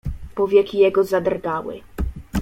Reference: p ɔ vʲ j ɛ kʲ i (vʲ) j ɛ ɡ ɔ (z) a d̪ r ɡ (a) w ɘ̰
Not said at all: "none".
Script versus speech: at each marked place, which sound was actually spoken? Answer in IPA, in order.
none, z, a

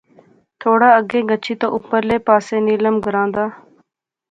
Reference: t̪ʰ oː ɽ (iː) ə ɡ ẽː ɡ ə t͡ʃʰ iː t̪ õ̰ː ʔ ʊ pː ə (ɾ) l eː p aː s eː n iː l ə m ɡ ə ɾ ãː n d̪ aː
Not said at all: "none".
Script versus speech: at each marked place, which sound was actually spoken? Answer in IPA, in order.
aː, ɾ

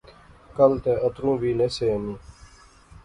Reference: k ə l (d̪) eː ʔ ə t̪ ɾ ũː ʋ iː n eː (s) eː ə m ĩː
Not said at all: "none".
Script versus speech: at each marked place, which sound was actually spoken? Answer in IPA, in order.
t̪, s

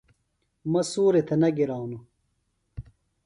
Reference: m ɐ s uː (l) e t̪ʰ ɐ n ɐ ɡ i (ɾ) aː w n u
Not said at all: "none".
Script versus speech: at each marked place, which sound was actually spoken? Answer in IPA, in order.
ɾ, ɾ

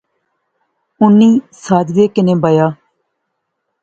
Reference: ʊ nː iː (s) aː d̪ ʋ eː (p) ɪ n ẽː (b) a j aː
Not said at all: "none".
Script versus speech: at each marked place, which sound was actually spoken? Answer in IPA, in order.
s, k, b

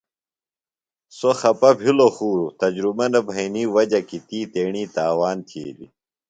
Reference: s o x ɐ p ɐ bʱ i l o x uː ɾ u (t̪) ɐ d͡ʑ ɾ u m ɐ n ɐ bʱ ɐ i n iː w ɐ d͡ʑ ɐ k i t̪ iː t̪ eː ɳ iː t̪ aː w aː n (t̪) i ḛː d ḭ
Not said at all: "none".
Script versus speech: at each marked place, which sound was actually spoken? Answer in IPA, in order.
t̪, t̪ʰ

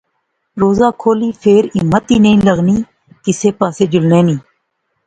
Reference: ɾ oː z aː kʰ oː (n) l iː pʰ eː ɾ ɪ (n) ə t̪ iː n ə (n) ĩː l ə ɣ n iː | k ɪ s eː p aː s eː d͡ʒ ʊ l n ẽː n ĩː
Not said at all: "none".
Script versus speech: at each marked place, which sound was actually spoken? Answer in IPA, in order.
none, m, none

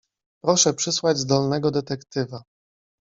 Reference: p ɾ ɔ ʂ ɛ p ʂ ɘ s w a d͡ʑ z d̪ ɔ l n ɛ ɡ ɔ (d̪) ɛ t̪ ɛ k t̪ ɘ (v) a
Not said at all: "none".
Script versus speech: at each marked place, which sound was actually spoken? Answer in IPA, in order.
d̪, v

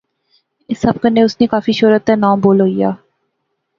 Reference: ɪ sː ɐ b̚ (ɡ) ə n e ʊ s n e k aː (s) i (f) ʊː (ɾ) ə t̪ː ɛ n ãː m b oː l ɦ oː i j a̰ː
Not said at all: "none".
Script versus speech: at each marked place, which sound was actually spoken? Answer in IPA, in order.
k, f, ʃ, ɾ

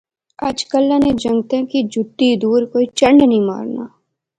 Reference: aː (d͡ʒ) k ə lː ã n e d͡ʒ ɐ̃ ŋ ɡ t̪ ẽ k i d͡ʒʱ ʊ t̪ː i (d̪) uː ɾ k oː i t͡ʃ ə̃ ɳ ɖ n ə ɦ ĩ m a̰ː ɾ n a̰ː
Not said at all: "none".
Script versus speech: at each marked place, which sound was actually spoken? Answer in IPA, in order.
d͡ʒ, d̪

